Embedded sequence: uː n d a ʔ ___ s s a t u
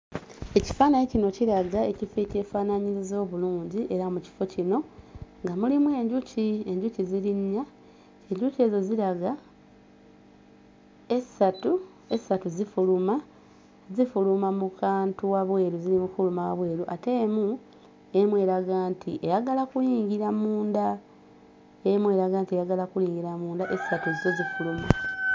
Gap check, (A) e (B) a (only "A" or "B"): A